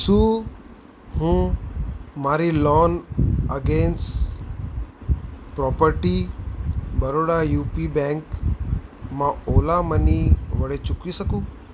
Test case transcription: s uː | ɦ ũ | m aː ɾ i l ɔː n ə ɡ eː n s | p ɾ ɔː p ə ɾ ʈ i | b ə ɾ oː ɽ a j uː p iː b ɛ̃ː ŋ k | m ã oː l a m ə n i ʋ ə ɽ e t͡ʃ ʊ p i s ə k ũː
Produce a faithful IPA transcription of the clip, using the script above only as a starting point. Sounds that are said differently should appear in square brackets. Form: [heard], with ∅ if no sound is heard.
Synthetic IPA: s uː | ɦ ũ | m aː ɾ i l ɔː n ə ɡ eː n s | p ɾ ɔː p ə ɾ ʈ i | b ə ɾ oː ɽ a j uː p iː b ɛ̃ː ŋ k | m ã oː l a m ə n i ʋ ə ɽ e t͡ʃ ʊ [k] i s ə k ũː